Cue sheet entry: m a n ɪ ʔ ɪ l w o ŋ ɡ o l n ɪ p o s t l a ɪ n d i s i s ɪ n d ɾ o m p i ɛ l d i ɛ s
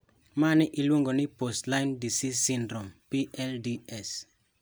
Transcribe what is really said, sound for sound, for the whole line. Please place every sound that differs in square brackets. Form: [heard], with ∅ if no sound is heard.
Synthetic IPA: m a n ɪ ʔ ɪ l w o ŋ ɡ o [∅] n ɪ p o s t l a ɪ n d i s i s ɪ n d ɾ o m p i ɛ l d i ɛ s